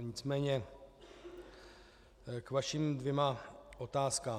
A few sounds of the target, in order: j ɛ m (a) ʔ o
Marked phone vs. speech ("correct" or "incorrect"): correct